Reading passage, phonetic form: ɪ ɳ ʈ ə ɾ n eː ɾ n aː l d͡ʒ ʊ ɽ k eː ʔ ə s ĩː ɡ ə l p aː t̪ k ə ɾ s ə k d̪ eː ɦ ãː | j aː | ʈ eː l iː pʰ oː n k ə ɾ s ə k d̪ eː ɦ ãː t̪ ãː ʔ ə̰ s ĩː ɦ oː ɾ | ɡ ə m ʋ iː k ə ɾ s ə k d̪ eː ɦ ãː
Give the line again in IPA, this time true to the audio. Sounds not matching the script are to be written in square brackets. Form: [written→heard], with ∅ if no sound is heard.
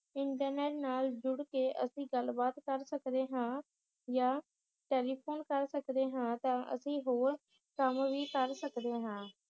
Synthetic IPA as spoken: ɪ ɳ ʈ ə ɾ n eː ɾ n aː l d͡ʒ ʊ ɽ k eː ʔ ə s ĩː ɡ ə l [p→b] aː t̪ k ə ɾ s ə k d̪ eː ɦ ãː | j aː | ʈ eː l iː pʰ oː n k ə ɾ s ə k d̪ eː ɦ ãː t̪ ãː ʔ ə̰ s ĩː ɦ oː ɾ | [ɡ→k] ə m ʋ iː k ə ɾ s ə k d̪ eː ɦ ãː